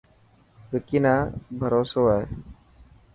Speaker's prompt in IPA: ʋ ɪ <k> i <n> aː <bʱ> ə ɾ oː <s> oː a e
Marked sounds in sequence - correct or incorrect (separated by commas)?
correct, correct, correct, correct